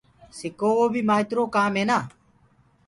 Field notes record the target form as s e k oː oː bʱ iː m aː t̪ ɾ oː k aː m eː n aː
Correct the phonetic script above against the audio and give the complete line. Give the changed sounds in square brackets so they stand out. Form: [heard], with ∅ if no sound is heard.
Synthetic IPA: s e k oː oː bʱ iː m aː t̪ ɾ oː k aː m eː n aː